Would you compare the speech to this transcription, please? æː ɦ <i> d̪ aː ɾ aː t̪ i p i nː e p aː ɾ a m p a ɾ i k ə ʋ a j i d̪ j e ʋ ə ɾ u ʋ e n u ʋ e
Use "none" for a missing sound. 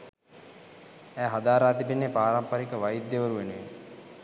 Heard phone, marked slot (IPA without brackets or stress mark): a